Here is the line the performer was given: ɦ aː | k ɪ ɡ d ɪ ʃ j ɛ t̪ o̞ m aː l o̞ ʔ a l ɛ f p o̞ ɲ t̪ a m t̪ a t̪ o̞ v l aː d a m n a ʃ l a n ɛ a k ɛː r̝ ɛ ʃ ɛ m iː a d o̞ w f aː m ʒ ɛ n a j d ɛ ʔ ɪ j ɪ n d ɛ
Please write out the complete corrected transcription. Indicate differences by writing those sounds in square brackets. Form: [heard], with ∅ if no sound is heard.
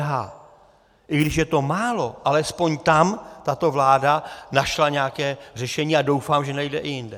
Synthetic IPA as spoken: ɦ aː | [ʔ] ɪ ɡ d ɪ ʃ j ɛ t̪ o̞ m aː l o̞ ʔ a l ɛ [s] p o̞ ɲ t̪ a m t̪ a t̪ o̞ v l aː d a [∅] n a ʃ l a [ɲ] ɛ a k ɛː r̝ ɛ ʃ ɛ [ɲ] iː a d o̞ w f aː m ʒ ɛ n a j d ɛ ʔ ɪ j ɪ n d ɛ